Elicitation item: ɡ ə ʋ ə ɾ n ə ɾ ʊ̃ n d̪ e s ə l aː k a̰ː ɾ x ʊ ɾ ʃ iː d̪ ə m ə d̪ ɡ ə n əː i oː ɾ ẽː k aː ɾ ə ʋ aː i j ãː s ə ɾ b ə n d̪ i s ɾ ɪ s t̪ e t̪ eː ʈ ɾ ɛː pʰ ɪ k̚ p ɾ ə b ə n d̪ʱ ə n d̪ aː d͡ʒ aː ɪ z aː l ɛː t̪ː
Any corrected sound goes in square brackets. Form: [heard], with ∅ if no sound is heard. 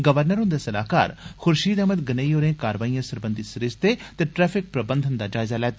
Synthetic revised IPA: ɡ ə ʋ ə ɾ n ə ɾ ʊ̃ n d̪ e s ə l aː k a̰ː ɾ x ʊ ɾ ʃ iː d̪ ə m ə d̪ ɡ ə n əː i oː ɾ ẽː k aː ɾ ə ʋ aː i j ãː s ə ɾ b ə n d̪ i s ɾ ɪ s t̪ e t̪ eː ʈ ɾ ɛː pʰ ɪ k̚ p ɾ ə b ə n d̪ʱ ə n d̪ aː d͡ʒ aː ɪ z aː l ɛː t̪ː